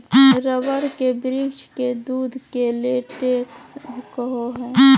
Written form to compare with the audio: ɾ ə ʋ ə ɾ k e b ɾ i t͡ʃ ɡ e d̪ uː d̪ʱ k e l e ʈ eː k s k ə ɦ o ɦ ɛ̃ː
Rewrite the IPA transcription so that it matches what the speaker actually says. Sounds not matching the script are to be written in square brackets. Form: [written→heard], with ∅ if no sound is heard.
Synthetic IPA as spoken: ɾ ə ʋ ə ɾ k e b ɾ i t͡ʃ [ɡ→k] e d̪ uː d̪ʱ k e l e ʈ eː k s k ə ɦ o ɦ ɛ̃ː